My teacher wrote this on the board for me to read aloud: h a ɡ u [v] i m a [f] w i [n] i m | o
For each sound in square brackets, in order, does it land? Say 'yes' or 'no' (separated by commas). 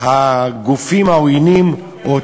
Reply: no, no, yes